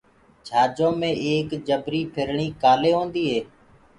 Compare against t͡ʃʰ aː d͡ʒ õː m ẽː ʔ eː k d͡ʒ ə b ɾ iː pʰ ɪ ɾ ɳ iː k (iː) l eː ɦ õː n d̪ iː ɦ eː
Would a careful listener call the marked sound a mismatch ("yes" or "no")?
yes